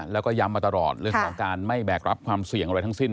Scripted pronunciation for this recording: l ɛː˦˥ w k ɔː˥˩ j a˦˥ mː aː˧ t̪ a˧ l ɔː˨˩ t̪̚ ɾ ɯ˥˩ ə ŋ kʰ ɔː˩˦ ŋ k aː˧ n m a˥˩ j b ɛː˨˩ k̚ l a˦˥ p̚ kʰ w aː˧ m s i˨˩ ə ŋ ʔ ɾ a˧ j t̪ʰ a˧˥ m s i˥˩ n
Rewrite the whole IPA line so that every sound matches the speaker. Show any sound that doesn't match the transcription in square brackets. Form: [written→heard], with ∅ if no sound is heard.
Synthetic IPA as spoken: l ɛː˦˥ w k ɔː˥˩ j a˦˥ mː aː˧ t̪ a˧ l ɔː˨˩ t̪̚ ɾ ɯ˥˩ ə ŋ kʰ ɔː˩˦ ŋ k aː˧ n m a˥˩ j b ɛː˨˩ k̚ [l→ɾ] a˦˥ p̚ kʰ w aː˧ m s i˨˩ ə ŋ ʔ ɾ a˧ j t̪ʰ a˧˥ [m→ŋ] s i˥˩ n